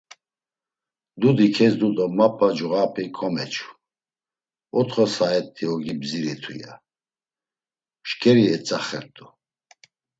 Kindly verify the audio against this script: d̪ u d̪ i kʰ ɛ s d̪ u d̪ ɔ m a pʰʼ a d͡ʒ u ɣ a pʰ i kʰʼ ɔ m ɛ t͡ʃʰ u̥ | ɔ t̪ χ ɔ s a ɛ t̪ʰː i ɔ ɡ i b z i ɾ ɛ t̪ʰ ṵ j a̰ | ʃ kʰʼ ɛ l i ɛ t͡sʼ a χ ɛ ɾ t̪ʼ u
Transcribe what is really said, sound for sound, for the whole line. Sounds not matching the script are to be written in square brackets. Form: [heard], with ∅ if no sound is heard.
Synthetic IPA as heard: d̪ u d̪ i kʰ ɛ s d̪ u d̪ ɔ m a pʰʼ a d͡ʒ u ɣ a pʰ i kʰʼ ɔ m ɛ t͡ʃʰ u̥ | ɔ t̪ χ ɔ s a ɛ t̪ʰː i ɔ ɡ i b z i ɾ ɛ t̪ʰ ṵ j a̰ | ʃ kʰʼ ɛ [ɾ] i ɛ t͡sʼ a χ ɛ ɾ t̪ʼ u